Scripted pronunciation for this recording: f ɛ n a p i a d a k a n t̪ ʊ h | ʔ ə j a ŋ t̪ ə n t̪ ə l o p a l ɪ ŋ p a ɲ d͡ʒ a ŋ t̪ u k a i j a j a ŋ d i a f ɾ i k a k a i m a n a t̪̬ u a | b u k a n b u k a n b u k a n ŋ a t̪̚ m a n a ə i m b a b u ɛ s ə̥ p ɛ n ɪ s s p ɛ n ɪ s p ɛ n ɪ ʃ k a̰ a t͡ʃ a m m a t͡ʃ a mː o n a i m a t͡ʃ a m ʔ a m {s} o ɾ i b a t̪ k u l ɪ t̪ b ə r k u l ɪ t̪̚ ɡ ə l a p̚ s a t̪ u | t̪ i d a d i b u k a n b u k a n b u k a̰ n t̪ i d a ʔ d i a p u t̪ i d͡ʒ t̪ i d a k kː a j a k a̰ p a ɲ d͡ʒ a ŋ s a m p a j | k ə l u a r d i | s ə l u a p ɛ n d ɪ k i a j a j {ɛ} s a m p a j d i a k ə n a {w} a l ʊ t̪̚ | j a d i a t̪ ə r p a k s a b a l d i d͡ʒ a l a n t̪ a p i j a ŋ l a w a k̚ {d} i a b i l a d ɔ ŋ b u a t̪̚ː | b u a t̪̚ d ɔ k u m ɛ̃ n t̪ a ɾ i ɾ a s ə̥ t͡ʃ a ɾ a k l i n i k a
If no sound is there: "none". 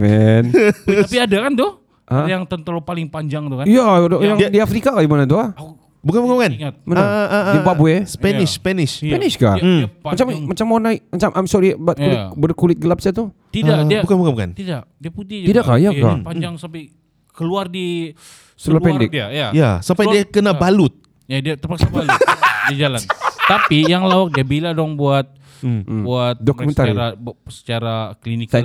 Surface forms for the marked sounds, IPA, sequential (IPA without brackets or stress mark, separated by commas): s, a, b, d